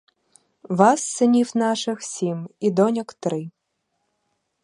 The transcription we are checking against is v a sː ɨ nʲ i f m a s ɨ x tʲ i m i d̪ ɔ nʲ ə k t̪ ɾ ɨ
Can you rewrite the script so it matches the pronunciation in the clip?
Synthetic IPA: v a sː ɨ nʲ i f n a ʂ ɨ x sʲ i m i d̪ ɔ nʲ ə k t̪ ɾ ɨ